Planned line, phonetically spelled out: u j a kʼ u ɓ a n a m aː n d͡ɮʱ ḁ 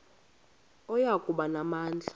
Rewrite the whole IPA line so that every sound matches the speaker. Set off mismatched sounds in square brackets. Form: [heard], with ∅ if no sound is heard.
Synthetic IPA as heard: [ɔ] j a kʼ u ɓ a n a m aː n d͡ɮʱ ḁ

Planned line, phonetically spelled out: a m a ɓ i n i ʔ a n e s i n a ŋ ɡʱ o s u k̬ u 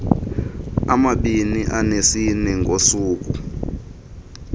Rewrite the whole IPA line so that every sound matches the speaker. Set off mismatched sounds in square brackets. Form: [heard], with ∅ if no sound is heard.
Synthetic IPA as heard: a m a ɓ i n i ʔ a n e s i n [ɛ] ŋ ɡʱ o s [uː] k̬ u

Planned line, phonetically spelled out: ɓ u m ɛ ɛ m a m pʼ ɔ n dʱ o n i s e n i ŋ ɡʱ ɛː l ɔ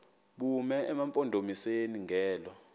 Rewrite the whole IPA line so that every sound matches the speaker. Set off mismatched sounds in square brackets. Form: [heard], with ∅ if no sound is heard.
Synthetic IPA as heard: ɓ u m ɛ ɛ m a m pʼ ɔ n dʱ o [m] i s e n i ŋ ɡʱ ɛː l ɔ

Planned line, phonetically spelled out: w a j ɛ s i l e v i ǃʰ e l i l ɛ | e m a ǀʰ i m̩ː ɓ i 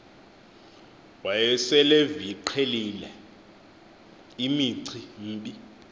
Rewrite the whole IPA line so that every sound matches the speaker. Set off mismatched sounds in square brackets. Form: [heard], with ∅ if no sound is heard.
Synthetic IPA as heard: w a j ɛ s [ɛ] l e v i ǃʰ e l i l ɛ | [i] m [i] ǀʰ i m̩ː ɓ i

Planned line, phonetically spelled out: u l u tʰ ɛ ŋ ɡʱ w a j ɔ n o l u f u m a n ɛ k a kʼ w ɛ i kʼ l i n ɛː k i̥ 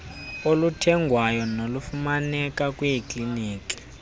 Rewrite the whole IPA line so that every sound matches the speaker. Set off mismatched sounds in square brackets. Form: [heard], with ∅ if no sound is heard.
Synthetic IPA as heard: [o] l u tʰ ɛ ŋ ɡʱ w a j ɔ n o l u f u m a n ɛ k a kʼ w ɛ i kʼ l i n [iː] k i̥

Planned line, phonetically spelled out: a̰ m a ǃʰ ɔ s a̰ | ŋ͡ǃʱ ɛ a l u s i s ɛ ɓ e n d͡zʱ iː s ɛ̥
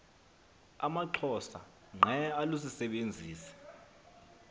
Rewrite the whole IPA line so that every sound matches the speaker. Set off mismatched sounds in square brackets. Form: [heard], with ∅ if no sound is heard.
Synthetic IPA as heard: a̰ m a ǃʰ ɔ s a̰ | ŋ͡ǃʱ ɛ a l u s i s ɛ ɓ e n d͡zʱ iː s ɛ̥

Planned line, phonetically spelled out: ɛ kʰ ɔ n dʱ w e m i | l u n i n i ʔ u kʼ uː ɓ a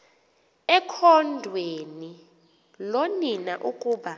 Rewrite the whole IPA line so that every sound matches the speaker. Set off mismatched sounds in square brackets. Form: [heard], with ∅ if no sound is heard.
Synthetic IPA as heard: ɛ kʰ ɔ n dʱ w e [n] i | l [o] n i n [a] ʔ u kʼ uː ɓ a

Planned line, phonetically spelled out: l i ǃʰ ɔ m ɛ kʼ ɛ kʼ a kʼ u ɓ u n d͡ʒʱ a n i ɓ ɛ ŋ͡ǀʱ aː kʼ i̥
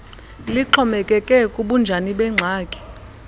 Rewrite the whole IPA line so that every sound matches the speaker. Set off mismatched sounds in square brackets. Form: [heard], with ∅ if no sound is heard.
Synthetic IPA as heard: l i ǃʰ ɔ m ɛ kʼ ɛ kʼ [ɛ] kʼ u ɓ u n d͡ʒʱ a n i ɓ ɛ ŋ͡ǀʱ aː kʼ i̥

